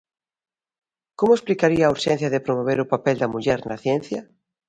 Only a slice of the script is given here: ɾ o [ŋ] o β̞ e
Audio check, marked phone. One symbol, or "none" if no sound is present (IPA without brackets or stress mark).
m